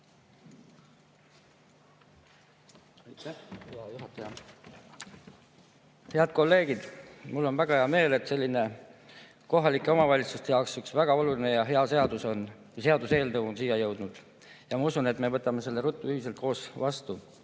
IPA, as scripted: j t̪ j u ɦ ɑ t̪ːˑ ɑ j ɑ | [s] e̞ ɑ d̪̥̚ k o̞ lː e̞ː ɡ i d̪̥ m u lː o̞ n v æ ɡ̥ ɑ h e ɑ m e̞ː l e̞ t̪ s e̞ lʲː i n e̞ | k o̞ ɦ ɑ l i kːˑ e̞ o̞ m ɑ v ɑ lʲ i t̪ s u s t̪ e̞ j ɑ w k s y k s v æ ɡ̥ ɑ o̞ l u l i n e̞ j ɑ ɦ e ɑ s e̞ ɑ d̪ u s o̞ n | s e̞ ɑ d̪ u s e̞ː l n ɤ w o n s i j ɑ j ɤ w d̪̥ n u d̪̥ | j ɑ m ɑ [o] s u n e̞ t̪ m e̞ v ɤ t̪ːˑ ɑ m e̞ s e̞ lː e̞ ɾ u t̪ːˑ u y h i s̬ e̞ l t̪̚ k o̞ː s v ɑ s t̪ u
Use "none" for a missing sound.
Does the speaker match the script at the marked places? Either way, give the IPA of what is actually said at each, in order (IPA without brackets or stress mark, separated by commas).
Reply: h, u